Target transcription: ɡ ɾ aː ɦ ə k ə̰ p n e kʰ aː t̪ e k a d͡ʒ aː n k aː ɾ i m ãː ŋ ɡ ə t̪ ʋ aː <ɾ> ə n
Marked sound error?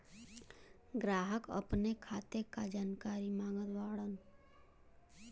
yes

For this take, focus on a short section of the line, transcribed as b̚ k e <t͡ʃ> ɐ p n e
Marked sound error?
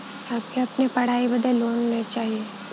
yes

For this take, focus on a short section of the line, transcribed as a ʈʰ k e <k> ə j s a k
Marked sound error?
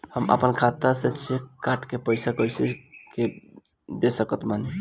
yes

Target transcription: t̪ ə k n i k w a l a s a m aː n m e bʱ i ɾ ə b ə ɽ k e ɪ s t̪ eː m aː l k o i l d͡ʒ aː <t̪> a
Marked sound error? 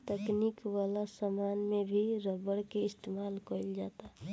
no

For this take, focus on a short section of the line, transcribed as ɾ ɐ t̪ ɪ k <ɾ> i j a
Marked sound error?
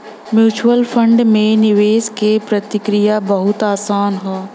no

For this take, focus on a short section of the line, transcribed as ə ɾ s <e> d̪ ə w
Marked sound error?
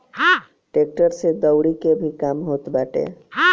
no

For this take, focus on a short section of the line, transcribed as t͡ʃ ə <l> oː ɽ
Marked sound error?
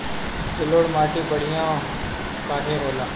no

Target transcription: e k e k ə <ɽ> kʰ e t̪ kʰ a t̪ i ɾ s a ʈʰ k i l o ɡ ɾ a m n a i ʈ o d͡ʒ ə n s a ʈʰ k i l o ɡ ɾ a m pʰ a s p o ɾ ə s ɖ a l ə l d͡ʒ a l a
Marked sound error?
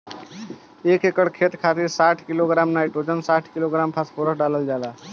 no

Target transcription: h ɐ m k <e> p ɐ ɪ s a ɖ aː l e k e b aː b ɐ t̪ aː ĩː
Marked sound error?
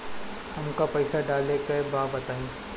yes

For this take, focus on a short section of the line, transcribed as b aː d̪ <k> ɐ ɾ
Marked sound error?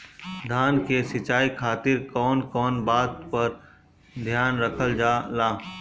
yes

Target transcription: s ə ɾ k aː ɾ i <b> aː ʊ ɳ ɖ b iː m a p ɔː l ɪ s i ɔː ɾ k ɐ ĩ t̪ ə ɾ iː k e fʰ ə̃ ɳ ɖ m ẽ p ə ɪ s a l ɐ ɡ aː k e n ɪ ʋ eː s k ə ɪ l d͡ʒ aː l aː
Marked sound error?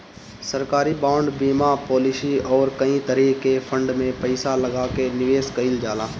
no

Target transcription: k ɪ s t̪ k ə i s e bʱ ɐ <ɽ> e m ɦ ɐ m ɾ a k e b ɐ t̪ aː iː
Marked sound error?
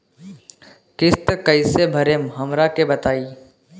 yes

